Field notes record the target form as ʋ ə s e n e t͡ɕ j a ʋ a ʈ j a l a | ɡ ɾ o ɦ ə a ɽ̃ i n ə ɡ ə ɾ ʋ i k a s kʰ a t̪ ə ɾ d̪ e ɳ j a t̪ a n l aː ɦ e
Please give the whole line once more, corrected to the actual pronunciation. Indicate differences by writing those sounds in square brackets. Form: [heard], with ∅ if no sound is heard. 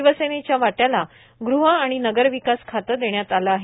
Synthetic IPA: ʋ ə s e n e t͡ɕ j a ʋ a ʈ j a l a | ɡ ɾ [u] ɦ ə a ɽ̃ i n ə ɡ ə ɾ ʋ i k a s kʰ a t̪ ə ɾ d̪ e ɳ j a t̪ a [∅] l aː ɦ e